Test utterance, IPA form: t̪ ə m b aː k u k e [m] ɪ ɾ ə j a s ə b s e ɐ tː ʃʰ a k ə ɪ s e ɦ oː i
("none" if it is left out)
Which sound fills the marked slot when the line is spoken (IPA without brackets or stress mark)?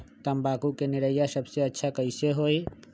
n